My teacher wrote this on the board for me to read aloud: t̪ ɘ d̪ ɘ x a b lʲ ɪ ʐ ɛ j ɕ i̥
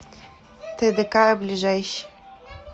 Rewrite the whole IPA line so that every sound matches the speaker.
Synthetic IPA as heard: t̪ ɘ d̪ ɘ k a b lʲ i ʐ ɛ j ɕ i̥